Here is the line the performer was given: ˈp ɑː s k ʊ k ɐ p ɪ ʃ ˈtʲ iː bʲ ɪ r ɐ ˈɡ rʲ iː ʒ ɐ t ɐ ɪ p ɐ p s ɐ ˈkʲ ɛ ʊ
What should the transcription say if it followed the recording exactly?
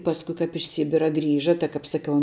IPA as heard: ˈp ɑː s k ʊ k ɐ p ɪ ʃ ˈsʲ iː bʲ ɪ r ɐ ˈɡ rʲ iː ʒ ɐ t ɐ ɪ k ɐ p s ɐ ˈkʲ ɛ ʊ